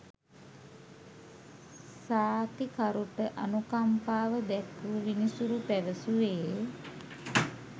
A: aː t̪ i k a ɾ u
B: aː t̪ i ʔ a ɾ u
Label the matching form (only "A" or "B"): A